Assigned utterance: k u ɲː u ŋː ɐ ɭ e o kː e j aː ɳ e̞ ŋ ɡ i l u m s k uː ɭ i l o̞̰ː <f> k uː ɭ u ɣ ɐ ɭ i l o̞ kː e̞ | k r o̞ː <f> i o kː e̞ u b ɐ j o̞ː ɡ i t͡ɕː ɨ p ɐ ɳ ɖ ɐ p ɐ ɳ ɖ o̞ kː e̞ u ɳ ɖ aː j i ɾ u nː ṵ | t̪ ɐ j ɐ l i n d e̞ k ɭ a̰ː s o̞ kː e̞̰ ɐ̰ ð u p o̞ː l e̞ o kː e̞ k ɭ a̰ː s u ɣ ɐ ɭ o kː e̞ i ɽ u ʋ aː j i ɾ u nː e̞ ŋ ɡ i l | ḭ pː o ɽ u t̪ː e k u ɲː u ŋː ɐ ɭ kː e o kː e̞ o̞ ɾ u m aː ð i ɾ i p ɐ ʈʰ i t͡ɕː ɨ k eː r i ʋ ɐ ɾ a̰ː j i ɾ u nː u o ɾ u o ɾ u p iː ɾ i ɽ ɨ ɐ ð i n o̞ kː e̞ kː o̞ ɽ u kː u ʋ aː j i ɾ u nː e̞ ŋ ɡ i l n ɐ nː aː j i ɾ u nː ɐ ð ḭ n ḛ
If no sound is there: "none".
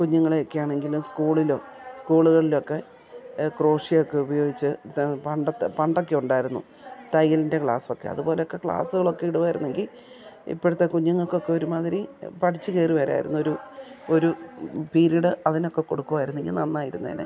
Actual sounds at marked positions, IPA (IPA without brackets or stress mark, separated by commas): s, ʂ